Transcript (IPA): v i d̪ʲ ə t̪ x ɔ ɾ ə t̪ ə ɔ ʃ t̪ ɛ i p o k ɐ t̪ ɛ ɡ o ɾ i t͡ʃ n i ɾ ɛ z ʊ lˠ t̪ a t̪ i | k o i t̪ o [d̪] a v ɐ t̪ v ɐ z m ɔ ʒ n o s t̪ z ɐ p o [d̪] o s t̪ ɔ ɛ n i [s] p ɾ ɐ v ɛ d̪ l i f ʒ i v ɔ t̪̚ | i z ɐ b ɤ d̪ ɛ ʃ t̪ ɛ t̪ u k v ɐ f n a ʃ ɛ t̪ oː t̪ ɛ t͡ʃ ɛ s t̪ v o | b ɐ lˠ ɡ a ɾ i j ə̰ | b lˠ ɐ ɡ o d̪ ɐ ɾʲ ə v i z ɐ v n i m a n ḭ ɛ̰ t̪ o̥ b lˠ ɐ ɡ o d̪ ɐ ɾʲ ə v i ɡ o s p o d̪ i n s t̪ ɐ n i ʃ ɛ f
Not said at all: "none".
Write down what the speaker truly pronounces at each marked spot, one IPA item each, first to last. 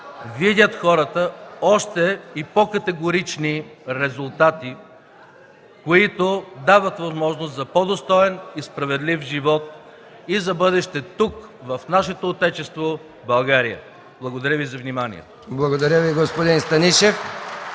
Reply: d̪, d̪, s

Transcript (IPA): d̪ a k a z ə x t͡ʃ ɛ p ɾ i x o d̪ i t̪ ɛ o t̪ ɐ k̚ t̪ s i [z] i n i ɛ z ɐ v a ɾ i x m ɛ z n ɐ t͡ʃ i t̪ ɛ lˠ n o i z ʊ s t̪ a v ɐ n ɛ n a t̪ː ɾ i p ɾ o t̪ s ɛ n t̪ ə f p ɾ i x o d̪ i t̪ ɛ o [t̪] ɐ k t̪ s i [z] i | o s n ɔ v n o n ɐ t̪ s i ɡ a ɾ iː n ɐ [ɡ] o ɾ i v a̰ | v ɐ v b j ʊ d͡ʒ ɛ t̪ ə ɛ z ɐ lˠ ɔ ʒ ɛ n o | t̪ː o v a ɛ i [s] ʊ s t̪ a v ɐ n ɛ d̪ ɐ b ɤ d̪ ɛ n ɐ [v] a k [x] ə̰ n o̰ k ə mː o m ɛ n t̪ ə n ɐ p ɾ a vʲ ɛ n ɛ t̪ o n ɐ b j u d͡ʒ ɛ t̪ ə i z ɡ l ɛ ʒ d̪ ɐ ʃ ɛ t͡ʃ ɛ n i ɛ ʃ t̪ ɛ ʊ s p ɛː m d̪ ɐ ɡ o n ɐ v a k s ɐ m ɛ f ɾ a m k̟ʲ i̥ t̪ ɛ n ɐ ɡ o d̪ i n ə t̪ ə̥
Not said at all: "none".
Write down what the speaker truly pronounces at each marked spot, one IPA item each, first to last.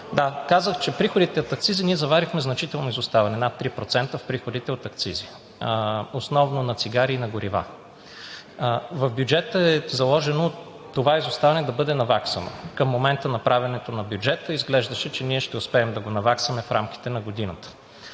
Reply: z, t̪, z, ɡ, z, v, s

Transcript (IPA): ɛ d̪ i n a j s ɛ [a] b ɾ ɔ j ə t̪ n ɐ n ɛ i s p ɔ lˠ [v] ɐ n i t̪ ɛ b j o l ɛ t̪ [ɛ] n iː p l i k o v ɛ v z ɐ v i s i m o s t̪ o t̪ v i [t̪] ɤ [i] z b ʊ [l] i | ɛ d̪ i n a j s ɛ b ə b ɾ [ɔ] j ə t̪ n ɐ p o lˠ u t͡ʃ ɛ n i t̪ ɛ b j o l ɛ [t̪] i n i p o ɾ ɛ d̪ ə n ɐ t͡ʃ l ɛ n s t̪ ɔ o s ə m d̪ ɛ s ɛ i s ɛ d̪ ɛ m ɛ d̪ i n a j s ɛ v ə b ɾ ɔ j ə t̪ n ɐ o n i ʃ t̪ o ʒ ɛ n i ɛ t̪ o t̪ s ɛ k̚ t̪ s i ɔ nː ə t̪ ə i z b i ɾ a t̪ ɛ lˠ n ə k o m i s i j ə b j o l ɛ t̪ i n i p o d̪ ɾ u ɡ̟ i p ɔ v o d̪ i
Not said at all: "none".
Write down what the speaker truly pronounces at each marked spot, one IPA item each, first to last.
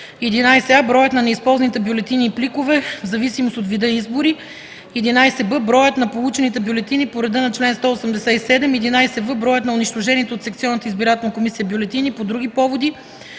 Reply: a, z, i, d̪, i, ɾ, ɔ, t̪

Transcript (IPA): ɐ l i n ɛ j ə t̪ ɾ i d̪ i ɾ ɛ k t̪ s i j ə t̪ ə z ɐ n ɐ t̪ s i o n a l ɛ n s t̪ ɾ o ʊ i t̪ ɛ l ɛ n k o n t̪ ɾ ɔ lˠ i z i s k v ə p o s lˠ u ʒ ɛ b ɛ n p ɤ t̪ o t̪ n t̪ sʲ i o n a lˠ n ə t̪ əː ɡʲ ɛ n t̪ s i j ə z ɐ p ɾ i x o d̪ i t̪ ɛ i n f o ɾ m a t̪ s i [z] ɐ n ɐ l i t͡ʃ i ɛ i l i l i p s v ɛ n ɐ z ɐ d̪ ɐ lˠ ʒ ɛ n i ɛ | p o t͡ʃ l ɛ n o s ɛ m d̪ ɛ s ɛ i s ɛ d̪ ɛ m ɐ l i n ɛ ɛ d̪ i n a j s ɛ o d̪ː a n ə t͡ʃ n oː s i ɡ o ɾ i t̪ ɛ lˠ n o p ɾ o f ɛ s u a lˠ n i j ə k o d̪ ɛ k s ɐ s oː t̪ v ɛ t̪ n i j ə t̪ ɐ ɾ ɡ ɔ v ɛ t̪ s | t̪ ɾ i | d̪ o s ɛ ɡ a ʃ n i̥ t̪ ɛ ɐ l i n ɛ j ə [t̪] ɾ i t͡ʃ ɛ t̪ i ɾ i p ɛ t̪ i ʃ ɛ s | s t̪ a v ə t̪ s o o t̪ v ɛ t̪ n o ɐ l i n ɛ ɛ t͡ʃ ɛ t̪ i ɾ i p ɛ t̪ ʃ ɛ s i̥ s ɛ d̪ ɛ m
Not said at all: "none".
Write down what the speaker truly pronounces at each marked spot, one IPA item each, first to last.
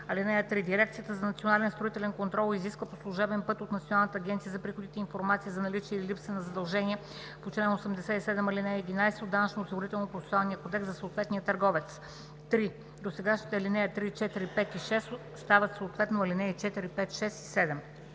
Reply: z, t̪

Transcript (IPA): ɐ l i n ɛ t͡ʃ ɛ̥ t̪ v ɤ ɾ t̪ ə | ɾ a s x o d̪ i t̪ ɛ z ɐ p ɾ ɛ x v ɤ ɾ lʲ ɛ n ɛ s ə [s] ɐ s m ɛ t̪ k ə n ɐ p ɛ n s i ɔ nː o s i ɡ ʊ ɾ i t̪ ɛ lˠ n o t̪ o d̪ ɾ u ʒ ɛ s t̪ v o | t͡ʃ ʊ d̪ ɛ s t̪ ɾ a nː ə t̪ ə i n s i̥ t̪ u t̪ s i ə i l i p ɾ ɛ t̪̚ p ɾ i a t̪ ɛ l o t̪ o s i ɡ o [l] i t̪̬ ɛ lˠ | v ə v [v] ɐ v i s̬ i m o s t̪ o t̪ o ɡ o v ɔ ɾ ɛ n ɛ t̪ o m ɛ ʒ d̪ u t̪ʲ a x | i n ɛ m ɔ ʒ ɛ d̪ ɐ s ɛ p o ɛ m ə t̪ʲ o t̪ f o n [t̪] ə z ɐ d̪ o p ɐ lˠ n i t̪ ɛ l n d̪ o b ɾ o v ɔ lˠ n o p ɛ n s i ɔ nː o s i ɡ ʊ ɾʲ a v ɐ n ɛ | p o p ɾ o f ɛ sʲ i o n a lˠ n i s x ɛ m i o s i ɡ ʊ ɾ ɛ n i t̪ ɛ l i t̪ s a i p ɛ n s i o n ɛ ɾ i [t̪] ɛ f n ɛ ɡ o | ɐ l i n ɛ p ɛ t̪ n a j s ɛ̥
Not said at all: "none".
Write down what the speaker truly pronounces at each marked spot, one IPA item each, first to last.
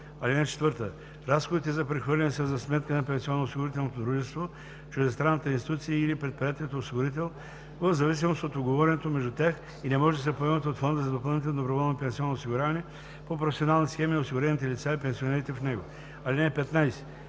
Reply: z, ɾ, z, d̪, t̪

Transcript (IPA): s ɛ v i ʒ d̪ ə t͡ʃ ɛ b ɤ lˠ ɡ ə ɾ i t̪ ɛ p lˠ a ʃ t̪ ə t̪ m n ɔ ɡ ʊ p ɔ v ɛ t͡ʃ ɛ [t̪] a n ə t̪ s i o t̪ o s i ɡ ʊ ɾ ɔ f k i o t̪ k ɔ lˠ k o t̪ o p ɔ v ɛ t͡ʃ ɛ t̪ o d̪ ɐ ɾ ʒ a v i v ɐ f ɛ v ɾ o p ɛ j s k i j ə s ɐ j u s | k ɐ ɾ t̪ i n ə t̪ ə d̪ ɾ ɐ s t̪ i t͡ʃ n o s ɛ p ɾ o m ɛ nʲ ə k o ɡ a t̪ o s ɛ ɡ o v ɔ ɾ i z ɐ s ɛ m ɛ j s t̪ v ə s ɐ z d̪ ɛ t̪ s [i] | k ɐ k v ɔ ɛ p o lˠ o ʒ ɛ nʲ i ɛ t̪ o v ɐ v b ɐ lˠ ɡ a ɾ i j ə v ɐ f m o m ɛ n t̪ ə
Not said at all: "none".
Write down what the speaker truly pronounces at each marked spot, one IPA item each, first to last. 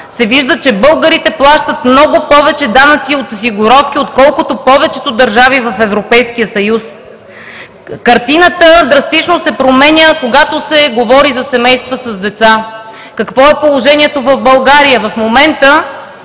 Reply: d̪, a

